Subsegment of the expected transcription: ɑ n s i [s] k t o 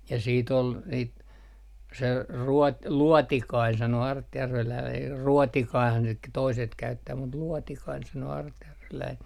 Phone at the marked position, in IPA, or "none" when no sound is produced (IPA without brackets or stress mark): t